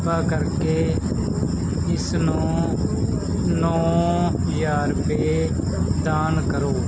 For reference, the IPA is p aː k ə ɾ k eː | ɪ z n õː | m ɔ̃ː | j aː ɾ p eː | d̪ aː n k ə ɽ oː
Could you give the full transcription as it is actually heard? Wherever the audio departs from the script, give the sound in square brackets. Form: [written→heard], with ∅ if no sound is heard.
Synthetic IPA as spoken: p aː k ə ɾ k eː | ɪ [z→s] n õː | [m→n] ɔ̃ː | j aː ɾ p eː | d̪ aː n k ə [ɽ→ɾ] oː